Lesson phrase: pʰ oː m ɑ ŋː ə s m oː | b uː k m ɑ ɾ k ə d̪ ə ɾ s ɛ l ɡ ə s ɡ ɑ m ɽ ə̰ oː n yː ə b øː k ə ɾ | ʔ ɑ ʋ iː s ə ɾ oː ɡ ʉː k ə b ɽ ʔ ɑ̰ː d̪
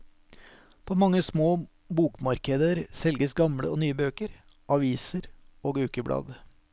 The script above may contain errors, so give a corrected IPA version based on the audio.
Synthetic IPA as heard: pʰ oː m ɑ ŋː ə s m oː | b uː k m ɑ ɾ k ə d̪ ə ɾ s ɛ l ɡ ə s ɡ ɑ m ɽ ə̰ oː n yː ə b øː k ə ɾ | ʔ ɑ ʋ iː s ə ɾ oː ɡ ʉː k ə b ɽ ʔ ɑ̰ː d̪